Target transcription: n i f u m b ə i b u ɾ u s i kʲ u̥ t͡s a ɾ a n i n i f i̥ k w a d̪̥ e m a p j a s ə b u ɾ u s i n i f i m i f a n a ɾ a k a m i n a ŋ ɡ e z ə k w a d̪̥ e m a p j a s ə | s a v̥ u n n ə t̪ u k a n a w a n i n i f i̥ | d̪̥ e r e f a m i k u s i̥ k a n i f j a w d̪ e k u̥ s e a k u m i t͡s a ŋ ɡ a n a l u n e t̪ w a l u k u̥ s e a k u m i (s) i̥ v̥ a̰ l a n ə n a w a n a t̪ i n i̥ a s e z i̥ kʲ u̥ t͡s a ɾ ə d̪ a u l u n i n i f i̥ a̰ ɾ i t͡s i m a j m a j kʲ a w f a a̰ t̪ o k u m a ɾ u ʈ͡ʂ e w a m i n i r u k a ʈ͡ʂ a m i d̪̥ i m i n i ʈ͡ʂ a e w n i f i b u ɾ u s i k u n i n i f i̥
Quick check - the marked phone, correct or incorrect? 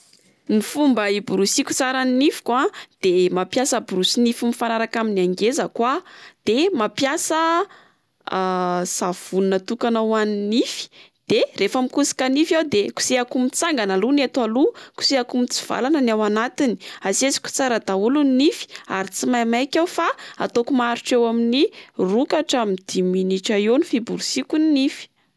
incorrect